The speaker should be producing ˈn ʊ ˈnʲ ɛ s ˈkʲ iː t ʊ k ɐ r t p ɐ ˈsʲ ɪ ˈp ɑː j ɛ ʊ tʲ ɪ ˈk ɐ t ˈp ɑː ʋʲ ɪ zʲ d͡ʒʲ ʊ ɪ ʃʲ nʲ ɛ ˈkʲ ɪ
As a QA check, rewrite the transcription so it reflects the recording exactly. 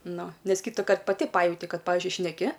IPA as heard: ˈn ʊ ˈnʲ ɛ s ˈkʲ iː t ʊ k ɐ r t p ɐ ˈtʲ ɪ ˈp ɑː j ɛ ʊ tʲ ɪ ˈk ɐ t ˈp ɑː ʋʲ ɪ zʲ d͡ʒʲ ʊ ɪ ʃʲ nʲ ɛ ˈkʲ ɪ